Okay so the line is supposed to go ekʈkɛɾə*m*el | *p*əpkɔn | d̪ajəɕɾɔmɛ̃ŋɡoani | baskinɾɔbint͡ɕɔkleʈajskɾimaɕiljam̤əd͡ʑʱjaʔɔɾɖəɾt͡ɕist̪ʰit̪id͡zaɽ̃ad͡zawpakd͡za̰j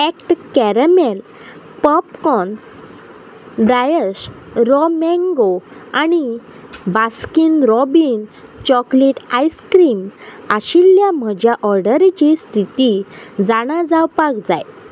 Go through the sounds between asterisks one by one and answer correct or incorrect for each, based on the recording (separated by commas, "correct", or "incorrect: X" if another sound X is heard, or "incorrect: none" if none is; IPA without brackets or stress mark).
correct, correct